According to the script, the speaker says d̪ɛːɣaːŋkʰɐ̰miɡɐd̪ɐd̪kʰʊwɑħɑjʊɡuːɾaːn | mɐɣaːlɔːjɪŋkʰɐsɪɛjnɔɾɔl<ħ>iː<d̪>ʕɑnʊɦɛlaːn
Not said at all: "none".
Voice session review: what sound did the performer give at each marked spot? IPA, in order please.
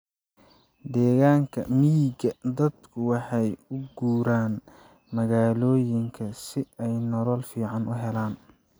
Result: f, none

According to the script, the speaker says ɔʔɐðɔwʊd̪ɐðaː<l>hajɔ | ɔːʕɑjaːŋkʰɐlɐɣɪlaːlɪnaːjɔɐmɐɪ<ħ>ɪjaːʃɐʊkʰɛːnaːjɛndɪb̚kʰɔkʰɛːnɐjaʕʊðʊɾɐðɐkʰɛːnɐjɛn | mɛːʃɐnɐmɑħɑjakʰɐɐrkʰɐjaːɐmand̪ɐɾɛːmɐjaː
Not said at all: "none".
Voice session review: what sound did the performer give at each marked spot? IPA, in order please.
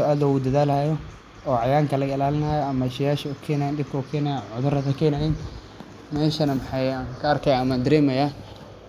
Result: l, ʃ

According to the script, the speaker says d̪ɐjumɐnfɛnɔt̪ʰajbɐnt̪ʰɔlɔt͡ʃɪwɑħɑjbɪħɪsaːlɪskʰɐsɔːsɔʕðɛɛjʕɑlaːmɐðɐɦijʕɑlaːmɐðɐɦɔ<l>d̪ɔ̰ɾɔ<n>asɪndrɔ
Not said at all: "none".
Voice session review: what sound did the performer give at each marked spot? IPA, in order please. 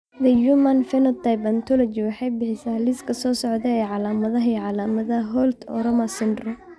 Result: l, m

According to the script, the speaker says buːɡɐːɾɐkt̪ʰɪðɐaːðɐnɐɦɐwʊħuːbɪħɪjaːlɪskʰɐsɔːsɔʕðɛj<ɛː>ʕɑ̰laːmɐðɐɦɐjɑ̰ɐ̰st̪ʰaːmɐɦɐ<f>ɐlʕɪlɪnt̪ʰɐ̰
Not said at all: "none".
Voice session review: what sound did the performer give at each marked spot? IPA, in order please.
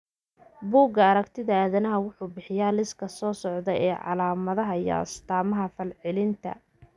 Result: ɛː, f

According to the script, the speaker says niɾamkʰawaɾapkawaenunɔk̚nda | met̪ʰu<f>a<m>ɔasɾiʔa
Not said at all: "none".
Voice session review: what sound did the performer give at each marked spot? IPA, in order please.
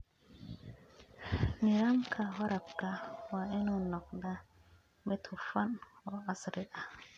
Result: f, n

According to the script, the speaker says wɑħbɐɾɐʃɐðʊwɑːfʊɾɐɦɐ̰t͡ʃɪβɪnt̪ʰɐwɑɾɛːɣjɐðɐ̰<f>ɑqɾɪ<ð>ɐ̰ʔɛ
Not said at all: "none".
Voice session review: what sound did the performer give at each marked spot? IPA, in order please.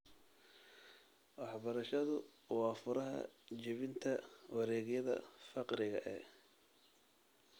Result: f, ɣ

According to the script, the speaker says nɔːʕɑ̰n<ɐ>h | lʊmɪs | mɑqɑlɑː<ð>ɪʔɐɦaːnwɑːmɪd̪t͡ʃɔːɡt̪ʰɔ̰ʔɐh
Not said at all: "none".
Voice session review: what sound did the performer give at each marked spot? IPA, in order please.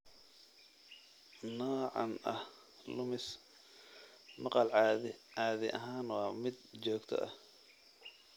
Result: ɐ, ð

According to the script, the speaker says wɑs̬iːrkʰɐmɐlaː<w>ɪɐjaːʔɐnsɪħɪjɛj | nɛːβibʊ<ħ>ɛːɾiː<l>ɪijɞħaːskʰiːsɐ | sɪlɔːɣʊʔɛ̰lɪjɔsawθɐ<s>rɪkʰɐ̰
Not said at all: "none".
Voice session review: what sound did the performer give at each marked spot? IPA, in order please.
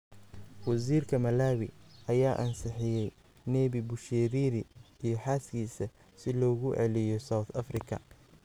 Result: w, ʃ, ɾ, f

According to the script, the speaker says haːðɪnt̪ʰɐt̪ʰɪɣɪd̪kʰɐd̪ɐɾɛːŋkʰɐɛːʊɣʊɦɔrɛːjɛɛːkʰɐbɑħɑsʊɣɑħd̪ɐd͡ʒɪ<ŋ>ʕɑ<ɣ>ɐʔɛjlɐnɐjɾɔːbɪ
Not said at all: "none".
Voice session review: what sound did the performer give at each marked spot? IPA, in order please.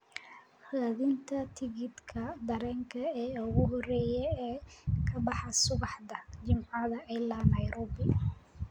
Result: m, ð

